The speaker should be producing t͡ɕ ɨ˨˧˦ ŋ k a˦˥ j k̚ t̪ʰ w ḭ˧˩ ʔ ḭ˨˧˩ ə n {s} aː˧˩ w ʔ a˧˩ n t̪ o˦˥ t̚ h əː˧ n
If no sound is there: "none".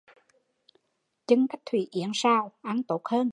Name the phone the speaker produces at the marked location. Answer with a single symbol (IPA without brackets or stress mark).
s